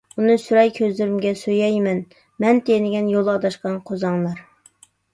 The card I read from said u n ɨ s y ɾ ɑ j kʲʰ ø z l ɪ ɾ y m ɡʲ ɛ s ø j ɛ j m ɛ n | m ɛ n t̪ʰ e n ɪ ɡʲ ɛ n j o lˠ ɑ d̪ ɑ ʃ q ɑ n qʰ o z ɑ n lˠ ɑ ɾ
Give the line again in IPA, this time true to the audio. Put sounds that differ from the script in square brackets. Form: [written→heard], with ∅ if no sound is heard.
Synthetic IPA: u n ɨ s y ɾ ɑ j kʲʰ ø z l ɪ ɾ y m ɡʲ ɛ s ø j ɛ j m ɛ n | m ɛ n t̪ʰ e n ɪ ɡʲ ɛ n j o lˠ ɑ d̪ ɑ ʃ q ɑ n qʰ o z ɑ [n→ŋ] lˠ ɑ ɾ